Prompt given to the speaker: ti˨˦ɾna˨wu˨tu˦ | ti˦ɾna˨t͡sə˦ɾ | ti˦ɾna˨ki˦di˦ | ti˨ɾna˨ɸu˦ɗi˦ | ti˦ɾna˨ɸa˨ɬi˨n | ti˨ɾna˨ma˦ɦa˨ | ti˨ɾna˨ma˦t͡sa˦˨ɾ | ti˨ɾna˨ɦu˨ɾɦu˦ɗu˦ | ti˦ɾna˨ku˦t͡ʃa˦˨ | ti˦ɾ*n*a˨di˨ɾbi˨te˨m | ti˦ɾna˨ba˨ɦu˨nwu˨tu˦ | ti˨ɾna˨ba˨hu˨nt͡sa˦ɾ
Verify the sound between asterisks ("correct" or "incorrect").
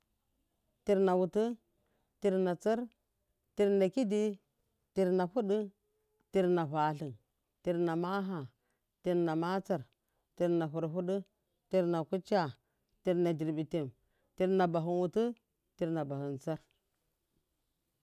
correct